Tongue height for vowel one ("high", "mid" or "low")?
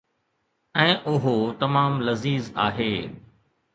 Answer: mid